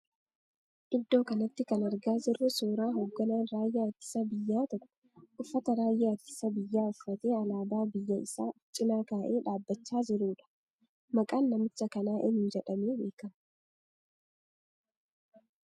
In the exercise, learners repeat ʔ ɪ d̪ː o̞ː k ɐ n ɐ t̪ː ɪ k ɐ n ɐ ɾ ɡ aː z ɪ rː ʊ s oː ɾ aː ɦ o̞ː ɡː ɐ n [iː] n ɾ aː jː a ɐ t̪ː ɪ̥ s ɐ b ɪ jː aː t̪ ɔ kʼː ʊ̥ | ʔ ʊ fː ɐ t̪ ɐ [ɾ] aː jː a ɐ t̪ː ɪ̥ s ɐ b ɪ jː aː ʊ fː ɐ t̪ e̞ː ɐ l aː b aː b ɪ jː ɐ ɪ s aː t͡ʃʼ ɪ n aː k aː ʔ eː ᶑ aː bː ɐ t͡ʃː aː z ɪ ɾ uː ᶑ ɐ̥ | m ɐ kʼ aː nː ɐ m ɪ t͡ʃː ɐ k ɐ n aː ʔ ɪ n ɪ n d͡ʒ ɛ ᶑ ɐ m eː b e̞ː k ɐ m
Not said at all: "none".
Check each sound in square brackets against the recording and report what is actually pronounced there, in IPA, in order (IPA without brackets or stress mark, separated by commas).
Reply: aː, ɾ